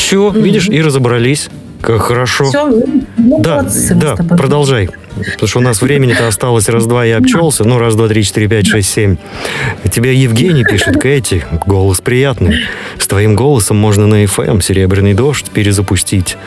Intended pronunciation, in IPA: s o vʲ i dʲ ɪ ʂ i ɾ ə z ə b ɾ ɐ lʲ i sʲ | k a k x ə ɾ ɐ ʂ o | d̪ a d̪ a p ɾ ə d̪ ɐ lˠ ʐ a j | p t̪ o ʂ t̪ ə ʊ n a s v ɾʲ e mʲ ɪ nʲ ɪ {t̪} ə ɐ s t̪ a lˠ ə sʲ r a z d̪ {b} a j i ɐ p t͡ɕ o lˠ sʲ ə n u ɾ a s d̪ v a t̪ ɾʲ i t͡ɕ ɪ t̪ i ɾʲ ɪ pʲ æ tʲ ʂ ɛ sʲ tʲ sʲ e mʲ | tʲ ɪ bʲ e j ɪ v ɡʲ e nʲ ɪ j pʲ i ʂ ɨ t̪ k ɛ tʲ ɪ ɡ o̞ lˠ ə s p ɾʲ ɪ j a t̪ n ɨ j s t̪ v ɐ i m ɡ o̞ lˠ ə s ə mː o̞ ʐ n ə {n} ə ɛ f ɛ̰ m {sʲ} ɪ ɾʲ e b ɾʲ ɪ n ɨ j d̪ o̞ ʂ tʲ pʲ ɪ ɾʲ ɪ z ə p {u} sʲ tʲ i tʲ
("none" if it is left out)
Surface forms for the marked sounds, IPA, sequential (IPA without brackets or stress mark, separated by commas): t̪, v, n, sʲ, ʊ